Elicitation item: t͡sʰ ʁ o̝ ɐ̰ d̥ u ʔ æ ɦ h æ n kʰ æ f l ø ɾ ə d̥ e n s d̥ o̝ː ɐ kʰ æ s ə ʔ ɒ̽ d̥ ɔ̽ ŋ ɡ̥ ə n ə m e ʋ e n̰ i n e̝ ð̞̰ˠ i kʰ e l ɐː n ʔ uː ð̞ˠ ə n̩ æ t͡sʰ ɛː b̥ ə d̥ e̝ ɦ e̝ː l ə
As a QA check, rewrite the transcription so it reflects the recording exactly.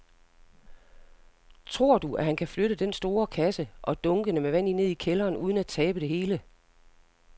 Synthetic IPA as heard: t͡sʰ ʁ o̝ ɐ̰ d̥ u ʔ æ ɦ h æ n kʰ æ f l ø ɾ ə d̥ e n s d̥ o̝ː ɐ kʰ æ s ə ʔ ɒ̽ d̥ ɔ̽ ŋ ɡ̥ ə n ə m e ʋ æ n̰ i n e̝ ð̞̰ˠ i kʰ e l ɐː n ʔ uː ð̞ˠ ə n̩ æ t͡sʰ ɛː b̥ ə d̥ e̝ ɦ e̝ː l ə

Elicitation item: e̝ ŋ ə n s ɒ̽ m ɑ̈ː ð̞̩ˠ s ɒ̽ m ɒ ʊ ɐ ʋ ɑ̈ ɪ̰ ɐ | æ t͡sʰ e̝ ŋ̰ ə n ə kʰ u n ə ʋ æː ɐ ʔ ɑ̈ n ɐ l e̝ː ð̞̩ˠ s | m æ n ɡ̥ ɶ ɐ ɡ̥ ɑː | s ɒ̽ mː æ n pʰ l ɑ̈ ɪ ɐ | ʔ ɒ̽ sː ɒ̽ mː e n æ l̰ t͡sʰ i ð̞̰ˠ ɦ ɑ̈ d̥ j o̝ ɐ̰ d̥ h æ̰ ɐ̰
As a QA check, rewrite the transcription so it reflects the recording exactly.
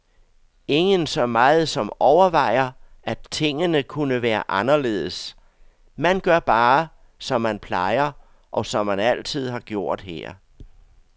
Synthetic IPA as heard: e̝ ŋ ə n s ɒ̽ m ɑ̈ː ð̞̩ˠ s ɒ̽ m ɒ ʊ ɐ ʋ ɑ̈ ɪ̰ ɐ | æ t͡sʰ e̝ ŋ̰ ə n ə kʰ u n ə ʋ æː ɐ ʔ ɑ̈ n ɐ l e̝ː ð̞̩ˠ s | m æ n ɡ̥ ɶ ɐ b̥ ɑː | s ɒ̽ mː æ n pʰ l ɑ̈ ɪ ɐ | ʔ ɒ̽ s ɒ̽ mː æ n æ l̰ t͡sʰ i ð̞̰ˠ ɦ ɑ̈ ɡ̥ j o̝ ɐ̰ d̥ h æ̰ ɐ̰

